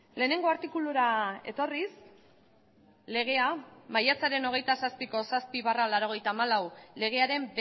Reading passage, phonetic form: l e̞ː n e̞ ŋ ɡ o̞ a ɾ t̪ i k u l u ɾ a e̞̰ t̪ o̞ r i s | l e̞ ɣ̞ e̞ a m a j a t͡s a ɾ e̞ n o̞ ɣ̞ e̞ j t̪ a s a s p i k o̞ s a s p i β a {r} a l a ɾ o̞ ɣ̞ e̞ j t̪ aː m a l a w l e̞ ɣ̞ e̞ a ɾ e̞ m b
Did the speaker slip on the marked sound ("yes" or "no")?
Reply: no